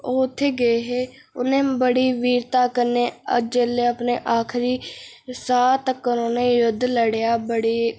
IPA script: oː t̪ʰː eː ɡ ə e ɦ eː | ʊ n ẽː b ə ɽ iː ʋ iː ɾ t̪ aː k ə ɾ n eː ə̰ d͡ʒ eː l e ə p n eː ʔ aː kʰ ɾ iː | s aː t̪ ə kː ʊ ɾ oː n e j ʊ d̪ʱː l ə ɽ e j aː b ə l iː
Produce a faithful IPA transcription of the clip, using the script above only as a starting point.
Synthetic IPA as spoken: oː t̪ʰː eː ɡ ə e ɦ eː | ʊ n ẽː b ə ɽ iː ʋ iː ɾ t̪ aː k ə ɾ n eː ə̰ d͡ʒ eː l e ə p n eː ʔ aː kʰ ɾ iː | s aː t̪ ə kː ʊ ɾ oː n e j ʊ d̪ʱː l ə ɽ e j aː b ə ɽ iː